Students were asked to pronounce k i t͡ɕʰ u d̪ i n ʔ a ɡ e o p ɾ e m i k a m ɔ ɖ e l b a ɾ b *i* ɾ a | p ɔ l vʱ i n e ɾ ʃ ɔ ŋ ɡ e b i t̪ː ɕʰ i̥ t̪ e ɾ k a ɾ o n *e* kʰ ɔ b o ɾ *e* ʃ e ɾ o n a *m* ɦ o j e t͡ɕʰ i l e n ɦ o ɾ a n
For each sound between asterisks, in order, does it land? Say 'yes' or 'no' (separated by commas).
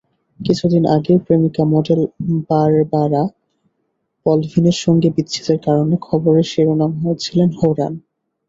no, yes, yes, yes